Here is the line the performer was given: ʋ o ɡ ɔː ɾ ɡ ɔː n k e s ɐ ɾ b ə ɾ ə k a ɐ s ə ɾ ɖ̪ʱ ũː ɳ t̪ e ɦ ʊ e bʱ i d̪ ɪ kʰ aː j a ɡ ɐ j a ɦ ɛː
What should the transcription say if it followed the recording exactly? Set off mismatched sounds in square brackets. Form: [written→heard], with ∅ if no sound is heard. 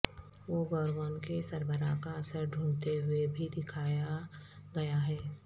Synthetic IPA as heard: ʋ o ɡ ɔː ɾ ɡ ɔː n k e s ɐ ɾ b ə ɾ [ə→a] k a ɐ s ə ɾ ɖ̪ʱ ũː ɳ t̪ e ɦ ʊ e bʱ i d̪ ɪ kʰ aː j a ɡ ɐ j a ɦ ɛː